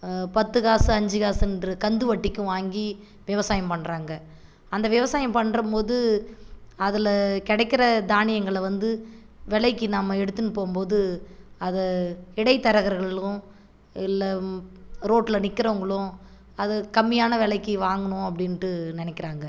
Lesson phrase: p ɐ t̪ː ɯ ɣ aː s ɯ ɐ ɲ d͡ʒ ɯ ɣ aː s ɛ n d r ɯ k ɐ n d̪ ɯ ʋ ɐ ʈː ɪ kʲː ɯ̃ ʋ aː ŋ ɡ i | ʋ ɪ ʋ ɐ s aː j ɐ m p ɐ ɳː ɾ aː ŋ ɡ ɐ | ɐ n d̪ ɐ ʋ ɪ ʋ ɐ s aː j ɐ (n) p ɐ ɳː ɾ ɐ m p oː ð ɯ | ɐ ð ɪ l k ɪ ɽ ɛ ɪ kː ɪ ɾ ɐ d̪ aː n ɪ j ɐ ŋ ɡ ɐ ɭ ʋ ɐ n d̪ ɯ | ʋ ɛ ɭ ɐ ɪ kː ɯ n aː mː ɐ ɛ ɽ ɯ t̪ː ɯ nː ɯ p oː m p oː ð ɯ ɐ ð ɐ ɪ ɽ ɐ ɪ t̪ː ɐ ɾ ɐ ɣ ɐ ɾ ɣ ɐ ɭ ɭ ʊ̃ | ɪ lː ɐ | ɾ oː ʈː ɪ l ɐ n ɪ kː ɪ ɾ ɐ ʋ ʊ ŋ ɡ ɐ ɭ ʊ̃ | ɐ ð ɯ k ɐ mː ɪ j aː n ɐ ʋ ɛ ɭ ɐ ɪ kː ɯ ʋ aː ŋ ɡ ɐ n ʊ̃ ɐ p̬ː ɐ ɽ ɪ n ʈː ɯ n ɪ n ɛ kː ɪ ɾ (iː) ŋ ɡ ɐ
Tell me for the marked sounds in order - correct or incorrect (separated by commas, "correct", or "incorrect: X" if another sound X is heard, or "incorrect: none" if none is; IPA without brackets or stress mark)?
incorrect: m, incorrect: aː